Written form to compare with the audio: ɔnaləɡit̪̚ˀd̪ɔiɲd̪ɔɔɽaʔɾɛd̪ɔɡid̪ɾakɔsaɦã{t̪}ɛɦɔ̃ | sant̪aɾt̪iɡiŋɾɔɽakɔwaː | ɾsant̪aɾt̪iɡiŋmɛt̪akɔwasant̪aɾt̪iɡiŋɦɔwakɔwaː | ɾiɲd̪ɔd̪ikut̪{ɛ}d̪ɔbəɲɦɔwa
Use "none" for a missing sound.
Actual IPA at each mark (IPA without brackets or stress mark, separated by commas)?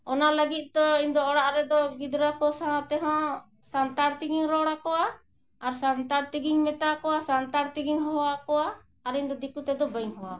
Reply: t̪, ɛ